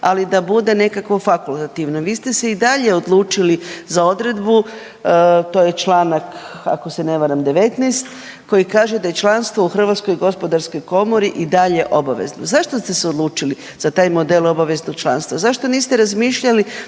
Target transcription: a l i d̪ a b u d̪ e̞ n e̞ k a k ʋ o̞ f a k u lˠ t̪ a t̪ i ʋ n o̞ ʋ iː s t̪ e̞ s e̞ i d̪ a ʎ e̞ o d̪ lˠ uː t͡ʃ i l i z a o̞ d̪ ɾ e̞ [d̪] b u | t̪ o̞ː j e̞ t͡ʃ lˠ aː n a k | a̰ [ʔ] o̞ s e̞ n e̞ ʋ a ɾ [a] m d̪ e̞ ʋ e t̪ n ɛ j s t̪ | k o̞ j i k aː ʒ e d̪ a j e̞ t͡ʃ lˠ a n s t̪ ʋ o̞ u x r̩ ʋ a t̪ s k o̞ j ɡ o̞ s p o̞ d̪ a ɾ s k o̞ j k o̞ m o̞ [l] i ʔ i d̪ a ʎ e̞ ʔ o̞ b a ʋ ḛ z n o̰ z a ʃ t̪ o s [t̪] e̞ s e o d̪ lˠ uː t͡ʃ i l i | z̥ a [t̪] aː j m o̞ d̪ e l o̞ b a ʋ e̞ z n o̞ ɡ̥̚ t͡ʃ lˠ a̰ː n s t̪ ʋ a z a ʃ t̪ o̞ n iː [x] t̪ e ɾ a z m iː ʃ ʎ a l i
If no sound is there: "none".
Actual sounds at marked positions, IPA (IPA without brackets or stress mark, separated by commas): d̪, k, a, ɾ, t̪, t̪, s